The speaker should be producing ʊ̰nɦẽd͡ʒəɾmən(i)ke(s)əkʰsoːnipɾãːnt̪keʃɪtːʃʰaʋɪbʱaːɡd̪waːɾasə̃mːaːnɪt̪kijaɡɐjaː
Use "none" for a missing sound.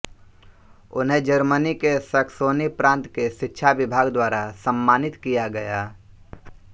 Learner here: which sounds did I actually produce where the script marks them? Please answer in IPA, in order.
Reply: i, s

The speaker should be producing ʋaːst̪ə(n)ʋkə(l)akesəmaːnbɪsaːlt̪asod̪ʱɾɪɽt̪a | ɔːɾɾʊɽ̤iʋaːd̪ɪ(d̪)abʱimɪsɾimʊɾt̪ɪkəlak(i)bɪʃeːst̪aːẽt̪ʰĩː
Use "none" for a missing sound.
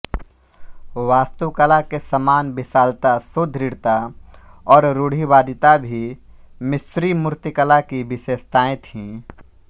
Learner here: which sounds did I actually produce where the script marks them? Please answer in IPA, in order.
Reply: none, l, t̪, i

